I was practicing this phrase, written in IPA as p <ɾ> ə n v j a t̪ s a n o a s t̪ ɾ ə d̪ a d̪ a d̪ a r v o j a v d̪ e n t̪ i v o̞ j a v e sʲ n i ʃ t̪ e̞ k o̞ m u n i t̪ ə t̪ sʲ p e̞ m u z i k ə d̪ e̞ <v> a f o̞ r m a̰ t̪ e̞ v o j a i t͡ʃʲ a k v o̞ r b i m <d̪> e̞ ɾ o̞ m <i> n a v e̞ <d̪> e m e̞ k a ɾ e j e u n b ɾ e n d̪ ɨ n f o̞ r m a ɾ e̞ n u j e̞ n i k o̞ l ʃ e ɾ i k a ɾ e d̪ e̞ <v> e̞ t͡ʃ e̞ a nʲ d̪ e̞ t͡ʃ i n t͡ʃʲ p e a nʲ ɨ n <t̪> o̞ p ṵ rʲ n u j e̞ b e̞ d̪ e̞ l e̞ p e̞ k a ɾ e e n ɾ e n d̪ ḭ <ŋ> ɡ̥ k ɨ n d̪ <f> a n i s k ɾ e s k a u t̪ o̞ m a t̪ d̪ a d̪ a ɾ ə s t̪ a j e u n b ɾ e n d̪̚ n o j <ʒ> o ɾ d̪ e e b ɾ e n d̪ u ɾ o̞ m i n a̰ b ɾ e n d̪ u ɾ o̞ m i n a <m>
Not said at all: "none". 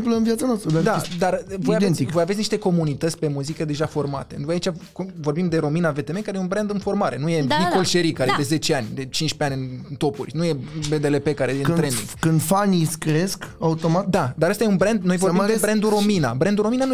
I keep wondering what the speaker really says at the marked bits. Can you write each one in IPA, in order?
l, ʒ, d̪, i, t̪, z, t̪, ŋ, f, v, n

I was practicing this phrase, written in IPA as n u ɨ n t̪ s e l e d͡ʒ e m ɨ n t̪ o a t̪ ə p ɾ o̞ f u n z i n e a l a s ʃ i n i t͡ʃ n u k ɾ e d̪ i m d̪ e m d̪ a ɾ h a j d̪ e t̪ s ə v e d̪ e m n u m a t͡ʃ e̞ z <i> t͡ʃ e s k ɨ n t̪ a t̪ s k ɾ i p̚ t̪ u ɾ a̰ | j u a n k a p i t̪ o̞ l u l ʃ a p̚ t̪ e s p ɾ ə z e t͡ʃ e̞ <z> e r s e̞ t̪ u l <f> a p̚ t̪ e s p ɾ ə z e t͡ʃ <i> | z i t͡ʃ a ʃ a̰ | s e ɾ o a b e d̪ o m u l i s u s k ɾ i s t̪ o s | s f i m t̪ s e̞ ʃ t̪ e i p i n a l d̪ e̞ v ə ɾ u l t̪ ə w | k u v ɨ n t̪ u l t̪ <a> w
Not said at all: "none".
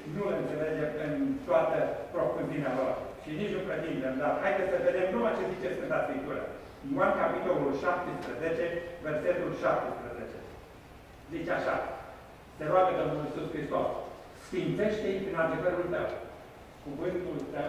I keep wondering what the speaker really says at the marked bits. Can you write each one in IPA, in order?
i, v, ʃ, e, ə

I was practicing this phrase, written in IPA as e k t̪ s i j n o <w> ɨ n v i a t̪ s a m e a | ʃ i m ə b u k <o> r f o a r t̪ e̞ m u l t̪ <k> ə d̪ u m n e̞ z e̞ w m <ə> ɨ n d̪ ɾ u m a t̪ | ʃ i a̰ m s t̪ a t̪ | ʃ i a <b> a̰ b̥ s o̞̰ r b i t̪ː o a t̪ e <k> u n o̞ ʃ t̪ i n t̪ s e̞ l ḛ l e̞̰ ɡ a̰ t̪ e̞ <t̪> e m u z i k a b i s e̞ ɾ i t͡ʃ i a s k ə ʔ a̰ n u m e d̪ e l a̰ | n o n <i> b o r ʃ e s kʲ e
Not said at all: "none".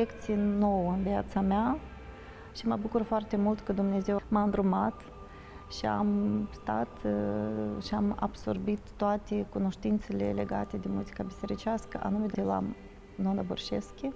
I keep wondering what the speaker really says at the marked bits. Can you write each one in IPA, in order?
w, u, k, a, m, k, d̪, a

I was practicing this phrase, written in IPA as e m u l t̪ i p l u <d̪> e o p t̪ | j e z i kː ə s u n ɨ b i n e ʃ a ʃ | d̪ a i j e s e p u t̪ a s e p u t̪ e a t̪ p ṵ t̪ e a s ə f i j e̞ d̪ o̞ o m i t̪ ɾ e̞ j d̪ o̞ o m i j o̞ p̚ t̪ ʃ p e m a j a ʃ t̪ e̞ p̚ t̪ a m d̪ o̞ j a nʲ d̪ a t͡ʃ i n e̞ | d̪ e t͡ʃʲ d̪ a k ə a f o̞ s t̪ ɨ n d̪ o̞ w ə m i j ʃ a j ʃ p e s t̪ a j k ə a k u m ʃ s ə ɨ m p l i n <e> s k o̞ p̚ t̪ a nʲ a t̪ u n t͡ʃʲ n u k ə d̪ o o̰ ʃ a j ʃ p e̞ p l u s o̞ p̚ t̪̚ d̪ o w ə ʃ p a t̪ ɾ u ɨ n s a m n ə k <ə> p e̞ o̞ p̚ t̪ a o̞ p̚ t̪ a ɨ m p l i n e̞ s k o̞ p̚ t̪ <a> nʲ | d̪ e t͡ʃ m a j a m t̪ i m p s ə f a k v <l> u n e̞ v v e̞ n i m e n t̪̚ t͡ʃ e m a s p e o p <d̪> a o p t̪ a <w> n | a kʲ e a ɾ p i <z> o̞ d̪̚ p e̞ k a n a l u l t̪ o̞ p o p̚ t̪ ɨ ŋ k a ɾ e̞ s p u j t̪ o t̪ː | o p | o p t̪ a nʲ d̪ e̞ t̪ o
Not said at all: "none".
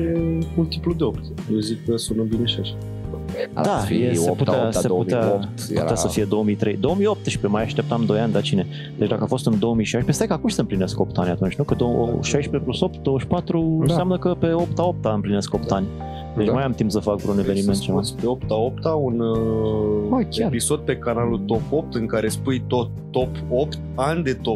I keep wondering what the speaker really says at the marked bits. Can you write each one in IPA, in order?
d̪, e, ə, a, ɾ, t̪, u, s

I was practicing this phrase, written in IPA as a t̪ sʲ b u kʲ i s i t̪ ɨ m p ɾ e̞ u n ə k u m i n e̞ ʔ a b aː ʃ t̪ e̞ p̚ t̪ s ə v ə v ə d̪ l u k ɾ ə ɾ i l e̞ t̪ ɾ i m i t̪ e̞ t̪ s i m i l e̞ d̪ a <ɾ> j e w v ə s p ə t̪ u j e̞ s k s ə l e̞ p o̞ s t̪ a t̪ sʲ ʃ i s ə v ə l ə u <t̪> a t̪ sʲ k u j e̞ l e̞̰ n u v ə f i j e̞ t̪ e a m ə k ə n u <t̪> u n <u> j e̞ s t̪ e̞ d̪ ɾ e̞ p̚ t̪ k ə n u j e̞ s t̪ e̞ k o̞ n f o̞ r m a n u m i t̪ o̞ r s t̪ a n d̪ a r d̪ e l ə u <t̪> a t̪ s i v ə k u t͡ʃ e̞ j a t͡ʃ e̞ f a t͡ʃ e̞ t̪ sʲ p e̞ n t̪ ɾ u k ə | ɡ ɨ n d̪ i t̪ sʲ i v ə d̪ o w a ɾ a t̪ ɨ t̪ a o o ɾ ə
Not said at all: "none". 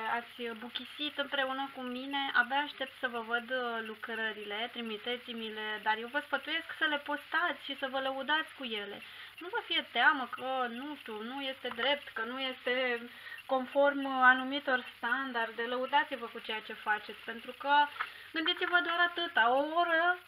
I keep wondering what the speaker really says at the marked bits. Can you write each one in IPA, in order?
r, d̪, t̪, u, d̪

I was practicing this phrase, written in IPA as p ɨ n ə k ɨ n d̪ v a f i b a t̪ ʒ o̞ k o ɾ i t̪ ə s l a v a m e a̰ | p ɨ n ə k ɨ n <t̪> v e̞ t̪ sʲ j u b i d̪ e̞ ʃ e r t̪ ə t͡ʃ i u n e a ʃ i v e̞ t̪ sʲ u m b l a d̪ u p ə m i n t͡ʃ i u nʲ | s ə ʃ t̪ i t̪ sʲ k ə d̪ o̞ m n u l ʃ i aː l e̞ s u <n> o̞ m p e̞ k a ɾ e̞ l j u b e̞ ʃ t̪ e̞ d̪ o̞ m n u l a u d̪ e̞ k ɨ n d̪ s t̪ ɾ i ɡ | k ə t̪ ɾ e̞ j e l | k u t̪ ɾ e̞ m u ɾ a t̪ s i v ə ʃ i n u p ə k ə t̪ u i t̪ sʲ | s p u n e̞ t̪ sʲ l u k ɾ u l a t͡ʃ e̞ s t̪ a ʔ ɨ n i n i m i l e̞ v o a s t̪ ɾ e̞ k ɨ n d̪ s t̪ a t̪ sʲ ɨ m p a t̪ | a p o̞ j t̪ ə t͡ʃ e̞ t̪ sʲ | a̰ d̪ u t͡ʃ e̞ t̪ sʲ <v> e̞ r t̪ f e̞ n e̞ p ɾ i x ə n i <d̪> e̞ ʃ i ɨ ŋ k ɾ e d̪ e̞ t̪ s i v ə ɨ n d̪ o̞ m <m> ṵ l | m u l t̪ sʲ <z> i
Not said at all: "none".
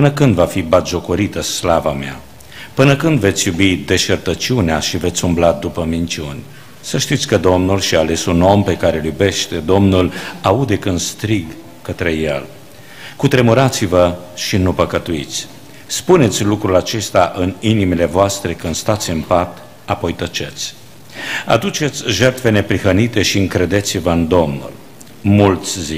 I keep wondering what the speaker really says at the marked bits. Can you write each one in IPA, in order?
d̪, n, ʒ, t̪, n, z

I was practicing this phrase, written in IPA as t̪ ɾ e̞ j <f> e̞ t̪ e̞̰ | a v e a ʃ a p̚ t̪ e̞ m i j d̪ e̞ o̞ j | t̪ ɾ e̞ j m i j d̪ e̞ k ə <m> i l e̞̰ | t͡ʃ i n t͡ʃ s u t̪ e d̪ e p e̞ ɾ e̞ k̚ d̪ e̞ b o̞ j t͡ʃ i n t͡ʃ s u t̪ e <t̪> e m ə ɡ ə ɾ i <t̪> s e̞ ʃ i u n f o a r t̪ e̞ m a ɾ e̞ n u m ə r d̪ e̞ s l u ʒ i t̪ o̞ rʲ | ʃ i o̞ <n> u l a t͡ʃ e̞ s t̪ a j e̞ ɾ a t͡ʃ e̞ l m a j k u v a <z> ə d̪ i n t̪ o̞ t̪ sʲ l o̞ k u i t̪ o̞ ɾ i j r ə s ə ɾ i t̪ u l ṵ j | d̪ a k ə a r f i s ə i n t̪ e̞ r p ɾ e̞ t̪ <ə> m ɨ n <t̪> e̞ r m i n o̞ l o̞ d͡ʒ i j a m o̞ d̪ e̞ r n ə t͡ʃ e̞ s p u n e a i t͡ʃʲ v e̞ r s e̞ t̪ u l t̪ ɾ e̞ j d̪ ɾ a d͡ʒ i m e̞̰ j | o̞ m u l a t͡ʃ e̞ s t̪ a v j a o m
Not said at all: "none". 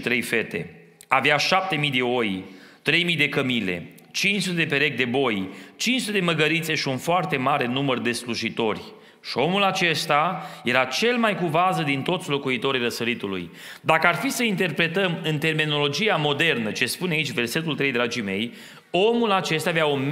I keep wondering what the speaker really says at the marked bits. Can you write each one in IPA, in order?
f, m, d̪, t̪, m, z, ə, t̪

